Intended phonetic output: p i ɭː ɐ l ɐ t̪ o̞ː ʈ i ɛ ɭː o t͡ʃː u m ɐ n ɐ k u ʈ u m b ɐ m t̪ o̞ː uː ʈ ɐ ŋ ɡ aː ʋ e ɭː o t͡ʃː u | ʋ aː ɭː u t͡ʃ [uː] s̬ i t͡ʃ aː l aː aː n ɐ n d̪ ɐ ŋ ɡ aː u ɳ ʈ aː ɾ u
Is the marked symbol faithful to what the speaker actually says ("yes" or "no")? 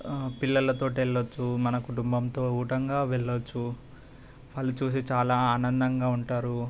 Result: yes